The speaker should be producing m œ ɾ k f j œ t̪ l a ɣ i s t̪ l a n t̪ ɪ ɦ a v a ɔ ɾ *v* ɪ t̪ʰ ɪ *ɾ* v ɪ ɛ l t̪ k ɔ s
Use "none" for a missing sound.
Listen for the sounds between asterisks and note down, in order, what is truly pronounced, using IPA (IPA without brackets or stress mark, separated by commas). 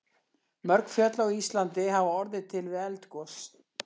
ð, l